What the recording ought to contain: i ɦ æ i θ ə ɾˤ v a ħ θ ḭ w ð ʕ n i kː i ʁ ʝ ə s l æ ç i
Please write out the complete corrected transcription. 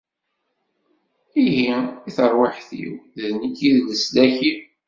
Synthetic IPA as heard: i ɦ i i θ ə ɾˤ w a ħ θ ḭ w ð ð n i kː i ð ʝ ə s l æ ç i